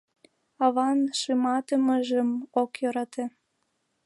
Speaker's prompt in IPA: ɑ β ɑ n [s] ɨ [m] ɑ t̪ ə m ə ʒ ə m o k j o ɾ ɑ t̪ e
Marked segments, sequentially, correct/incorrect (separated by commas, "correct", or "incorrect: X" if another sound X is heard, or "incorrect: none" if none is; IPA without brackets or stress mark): incorrect: ʃ, correct